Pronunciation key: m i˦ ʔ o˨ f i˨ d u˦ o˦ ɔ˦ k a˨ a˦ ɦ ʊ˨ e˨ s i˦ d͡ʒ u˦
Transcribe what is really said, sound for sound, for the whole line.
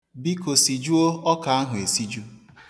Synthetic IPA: b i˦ k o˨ s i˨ d͡ʒ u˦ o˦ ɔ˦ k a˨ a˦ ɦ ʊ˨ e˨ s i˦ d͡ʒ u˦